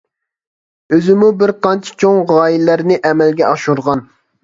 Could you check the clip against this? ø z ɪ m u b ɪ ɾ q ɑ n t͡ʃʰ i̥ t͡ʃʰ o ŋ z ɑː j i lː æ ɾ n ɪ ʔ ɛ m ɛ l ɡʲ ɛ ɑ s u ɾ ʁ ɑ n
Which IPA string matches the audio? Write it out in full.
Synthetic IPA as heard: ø z ɪ m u b ɪ ɾ q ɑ n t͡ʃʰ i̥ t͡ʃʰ o ŋ ʁ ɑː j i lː æ ɾ n ɪ ʔ ɛ m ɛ l ɡʲ ɛ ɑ ʃ u ɾ ʁ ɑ n

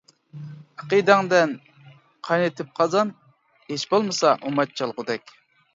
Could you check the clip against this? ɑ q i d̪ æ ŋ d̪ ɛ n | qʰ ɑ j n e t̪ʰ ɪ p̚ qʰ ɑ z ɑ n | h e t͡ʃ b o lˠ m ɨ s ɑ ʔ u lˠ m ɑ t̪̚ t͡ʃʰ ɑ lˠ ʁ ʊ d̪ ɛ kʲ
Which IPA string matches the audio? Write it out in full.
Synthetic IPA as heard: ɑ q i d̪ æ ŋ d̪ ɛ n | qʰ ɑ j n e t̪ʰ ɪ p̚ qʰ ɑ z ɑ n | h e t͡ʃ b o lˠ m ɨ s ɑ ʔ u m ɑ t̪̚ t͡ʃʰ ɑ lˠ ʁ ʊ d̪ ɛ kʲ

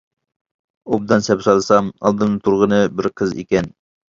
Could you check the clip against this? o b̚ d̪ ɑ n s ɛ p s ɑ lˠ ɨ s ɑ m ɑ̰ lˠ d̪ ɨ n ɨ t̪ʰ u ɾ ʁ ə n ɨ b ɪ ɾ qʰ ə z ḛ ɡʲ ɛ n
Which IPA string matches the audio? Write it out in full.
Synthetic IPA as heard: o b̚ d̪ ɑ n s ɛ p s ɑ lˠ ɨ s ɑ m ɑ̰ lˠ d̪ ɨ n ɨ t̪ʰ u ɾ ʁ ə n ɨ b ɪ ɾ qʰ ə z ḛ kʲ ɛ n

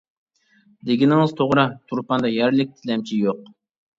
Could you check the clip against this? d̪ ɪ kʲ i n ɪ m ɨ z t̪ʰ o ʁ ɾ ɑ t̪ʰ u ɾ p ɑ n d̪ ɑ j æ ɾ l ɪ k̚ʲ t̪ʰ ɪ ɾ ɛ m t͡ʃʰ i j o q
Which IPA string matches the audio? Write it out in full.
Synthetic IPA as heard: d̪ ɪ ɡʲ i n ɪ ŋ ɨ z t̪ʰ o ʁ ɾ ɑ t̪ʰ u ɾ p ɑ n d̪ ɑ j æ ɾ l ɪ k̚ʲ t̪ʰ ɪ l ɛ m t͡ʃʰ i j o q

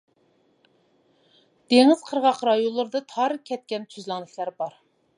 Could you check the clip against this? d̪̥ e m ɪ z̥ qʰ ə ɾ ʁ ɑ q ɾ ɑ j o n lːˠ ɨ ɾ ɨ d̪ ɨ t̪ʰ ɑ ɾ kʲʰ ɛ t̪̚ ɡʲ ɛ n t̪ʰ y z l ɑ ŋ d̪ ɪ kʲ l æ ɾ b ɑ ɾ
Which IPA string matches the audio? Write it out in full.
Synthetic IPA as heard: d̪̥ e ŋ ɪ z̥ qʰ ə ɾ ʁ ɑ q ɾ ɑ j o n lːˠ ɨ ɾ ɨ d̪ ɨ t̪ʰ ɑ ɾ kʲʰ ɛ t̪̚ kʲ ɛ n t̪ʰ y z l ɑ ŋ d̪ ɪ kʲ l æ ɾ b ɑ ɾ

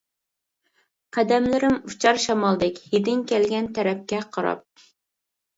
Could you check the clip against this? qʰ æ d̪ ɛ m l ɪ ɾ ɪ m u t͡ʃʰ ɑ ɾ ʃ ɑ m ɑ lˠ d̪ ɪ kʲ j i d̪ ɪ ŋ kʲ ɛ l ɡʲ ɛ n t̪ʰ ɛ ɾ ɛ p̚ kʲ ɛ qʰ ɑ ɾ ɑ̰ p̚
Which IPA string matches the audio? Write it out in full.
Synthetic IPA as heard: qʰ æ d̪ ɛ m l ɪ ɾ ɪ m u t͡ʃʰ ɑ ɾ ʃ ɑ m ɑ lˠ d̪ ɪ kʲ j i d̪ ɪ ŋ kʲ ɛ l ɡʲ ɛ n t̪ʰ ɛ ɾ ɛ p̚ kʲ ɛ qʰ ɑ ɾ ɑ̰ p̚

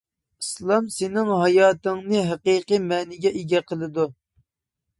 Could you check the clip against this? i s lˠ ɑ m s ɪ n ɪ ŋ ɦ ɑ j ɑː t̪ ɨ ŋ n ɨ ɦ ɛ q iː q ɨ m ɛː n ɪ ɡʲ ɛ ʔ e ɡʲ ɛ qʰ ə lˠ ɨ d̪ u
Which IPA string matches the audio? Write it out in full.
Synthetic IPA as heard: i s lˠ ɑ m s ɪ n ɪ ŋ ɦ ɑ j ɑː t̪ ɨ ŋ n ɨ ɦ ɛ q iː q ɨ m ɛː n ɪ ɡʲ ɛ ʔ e ɡʲ ɛ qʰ ə lˠ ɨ d̪ u

